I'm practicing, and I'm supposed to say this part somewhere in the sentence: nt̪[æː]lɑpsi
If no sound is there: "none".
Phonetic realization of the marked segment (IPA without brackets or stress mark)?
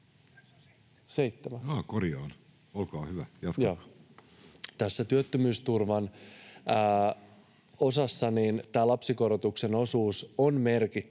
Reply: æː